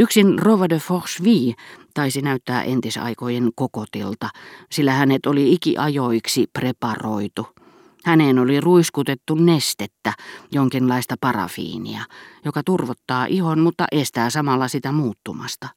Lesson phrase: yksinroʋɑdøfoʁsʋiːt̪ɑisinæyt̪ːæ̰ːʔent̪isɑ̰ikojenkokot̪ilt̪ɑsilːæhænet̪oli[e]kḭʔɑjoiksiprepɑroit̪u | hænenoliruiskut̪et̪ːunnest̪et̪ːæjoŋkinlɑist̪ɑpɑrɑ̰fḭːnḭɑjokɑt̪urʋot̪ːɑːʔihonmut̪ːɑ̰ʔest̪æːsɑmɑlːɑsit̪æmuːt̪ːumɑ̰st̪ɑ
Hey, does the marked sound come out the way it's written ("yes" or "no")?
no